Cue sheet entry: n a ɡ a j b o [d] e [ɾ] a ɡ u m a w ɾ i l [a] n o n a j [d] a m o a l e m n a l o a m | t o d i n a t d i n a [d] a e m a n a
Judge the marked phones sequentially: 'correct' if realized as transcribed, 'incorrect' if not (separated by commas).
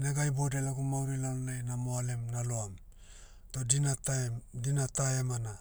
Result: correct, incorrect, correct, incorrect, incorrect